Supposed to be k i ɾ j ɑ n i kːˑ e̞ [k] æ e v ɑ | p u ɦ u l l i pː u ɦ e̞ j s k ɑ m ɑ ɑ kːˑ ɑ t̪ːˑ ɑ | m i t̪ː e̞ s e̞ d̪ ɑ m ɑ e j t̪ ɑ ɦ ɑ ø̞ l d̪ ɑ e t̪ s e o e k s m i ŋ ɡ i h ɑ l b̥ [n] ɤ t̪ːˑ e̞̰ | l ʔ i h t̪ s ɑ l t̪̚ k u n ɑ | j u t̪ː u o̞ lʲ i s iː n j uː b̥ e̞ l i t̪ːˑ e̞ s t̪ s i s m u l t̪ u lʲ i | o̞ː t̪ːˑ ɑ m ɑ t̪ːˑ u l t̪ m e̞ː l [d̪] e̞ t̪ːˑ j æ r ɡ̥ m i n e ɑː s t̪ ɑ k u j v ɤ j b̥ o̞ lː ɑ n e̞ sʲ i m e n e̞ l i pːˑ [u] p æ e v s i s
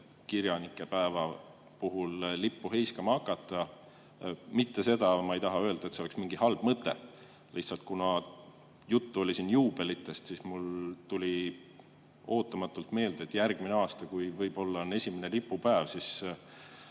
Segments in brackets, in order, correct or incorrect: incorrect, incorrect, correct, correct

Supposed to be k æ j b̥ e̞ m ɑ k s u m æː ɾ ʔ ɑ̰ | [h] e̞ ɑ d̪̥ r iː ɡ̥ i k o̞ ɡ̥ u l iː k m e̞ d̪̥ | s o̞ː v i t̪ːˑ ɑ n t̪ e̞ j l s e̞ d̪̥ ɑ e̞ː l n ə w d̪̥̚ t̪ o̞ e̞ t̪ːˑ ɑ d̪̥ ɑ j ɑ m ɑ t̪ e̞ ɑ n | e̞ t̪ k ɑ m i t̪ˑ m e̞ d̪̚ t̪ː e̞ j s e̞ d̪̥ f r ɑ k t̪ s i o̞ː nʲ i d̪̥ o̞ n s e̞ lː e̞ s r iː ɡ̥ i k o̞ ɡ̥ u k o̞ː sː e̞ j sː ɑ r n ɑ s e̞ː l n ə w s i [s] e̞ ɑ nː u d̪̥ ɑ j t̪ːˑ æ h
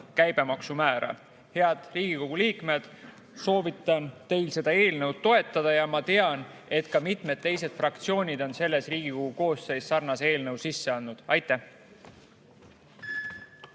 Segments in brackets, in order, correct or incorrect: correct, incorrect

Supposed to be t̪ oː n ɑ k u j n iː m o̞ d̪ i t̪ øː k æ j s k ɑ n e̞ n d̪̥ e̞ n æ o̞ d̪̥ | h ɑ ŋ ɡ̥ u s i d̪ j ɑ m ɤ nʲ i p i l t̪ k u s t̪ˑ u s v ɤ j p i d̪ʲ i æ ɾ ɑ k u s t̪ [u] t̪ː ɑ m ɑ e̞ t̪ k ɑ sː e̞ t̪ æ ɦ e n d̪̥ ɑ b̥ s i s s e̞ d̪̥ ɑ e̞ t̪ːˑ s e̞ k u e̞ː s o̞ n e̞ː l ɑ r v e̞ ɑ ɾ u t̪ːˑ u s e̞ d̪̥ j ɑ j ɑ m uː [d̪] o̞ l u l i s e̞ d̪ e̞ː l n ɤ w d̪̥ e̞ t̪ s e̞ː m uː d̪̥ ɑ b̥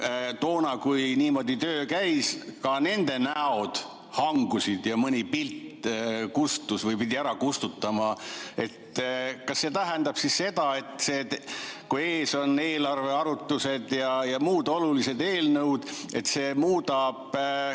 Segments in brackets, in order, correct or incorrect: correct, correct

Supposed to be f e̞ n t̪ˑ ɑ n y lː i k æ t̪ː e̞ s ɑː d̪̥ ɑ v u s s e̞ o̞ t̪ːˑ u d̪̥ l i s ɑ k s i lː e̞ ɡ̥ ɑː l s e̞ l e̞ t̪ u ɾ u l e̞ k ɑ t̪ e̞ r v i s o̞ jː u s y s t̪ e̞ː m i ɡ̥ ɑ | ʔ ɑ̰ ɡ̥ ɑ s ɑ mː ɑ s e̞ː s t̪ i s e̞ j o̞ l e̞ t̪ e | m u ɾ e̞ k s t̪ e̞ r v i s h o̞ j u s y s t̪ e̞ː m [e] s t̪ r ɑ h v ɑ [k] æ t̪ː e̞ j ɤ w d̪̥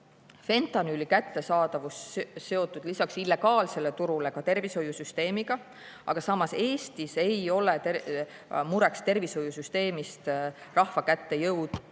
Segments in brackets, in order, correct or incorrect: incorrect, correct

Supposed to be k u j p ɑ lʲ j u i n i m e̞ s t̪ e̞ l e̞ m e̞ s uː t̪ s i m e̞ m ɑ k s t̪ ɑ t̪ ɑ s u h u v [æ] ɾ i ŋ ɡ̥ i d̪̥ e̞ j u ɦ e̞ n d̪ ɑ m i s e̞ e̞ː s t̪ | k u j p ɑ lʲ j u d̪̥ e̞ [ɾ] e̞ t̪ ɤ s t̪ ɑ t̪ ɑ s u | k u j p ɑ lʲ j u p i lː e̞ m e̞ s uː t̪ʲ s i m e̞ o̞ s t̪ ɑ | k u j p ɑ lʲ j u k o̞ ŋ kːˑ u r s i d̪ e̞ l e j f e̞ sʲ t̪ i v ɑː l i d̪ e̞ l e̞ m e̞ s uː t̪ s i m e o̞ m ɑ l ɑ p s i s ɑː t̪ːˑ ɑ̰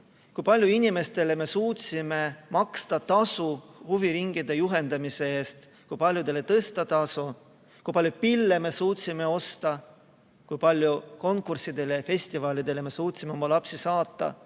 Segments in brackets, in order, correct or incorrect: incorrect, incorrect

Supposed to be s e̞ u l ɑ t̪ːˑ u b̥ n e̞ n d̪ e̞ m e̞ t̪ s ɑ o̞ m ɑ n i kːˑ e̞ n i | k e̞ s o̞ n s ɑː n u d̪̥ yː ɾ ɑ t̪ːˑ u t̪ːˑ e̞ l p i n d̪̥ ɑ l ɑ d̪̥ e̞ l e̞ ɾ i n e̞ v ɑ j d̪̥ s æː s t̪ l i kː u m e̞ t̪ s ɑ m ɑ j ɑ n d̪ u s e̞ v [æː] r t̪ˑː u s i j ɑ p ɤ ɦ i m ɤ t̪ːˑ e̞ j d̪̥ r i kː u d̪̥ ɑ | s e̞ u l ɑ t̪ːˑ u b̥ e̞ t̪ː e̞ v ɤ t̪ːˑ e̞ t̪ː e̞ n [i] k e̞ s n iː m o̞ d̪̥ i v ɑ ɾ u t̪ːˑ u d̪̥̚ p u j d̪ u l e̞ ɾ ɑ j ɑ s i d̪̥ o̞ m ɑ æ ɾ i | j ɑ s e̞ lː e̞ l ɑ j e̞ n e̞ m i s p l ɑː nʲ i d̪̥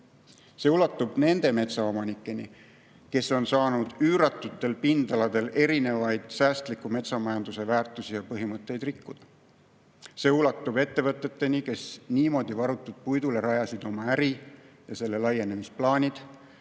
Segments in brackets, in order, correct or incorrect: correct, correct

